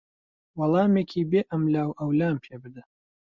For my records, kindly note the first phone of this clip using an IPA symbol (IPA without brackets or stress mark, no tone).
w